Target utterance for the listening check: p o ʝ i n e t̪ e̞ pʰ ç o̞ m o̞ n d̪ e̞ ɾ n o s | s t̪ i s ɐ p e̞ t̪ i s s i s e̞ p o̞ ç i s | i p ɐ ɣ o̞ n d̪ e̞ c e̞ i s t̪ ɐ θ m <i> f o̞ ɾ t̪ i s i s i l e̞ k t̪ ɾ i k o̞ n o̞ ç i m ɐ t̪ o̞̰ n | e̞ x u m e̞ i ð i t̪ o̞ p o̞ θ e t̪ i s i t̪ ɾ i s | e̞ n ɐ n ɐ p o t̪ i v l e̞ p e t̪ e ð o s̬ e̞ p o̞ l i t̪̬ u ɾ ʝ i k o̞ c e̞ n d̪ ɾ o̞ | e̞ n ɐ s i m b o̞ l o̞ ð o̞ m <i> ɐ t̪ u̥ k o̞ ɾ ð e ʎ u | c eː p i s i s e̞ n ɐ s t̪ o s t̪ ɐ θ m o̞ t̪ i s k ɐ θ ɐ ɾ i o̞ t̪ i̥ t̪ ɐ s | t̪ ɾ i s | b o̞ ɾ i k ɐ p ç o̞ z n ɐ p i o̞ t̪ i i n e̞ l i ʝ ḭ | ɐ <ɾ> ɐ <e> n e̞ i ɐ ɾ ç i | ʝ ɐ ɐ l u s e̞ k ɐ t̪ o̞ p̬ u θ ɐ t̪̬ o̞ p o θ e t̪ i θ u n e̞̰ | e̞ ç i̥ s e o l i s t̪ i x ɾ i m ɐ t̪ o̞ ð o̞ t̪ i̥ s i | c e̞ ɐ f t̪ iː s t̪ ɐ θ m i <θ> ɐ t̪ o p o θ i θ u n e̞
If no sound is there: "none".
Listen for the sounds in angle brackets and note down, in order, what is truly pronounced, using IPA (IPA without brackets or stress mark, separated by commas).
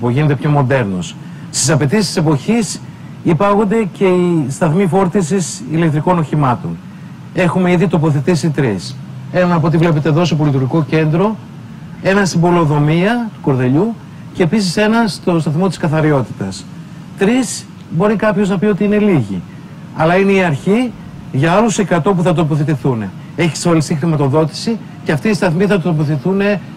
i, i, l, i, θ